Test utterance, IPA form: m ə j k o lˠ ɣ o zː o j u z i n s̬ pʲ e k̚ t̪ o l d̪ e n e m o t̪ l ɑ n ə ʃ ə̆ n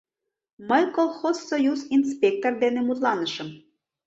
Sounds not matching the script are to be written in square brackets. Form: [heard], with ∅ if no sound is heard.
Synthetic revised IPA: m ə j k o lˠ [x] o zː o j u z i n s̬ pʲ e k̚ t̪ o [r] d̪ e n e m [u] t̪ l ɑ n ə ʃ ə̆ [m]

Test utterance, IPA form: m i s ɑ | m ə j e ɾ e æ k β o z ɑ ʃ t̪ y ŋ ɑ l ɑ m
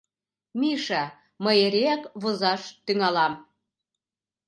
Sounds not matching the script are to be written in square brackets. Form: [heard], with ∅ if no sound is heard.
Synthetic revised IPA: m i [ʃ] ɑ | m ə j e ɾ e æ k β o z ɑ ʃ t̪ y ŋ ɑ l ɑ m

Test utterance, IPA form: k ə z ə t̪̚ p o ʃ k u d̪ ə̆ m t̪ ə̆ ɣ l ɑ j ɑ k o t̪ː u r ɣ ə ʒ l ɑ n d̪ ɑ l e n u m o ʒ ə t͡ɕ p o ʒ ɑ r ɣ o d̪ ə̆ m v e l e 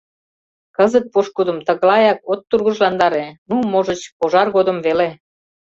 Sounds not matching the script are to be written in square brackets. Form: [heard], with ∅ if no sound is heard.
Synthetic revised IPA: k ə z ə t̪̚ p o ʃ k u d̪ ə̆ m t̪ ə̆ ɣ l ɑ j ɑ k o t̪ː u r ɣ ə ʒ l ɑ n d̪ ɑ [ɾ] e n u m o ʒ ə t͡ɕ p o ʒ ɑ r ɣ o d̪ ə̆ m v e l e

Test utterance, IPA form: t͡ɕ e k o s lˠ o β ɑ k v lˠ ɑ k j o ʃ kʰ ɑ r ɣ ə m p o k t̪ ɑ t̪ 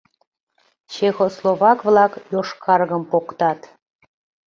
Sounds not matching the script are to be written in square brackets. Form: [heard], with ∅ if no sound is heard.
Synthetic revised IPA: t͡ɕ e [x] o s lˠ o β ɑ k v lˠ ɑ k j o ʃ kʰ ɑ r ɣ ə m p o k t̪ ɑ t̪

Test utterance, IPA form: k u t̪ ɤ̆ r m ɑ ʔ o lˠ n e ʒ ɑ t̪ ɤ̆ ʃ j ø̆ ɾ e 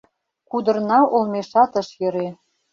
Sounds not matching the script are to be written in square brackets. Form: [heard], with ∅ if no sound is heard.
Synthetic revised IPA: k u [d̪] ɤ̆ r [n] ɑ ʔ o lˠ [m] e [ʃ] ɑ t̪ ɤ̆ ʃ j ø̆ ɾ e

